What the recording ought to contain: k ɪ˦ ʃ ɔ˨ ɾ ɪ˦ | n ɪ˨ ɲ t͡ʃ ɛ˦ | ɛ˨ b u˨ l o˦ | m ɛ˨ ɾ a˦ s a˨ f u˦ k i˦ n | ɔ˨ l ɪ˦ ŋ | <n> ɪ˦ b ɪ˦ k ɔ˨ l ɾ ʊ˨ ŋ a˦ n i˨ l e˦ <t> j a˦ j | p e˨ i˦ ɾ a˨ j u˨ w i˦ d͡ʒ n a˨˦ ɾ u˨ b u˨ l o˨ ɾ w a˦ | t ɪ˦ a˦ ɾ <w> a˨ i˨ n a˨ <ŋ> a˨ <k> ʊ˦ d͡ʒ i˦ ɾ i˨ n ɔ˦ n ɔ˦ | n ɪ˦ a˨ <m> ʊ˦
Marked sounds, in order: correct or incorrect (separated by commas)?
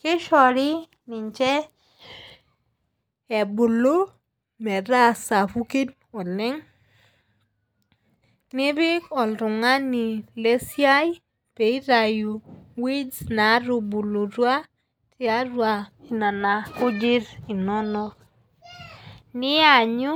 correct, incorrect, correct, incorrect, correct, incorrect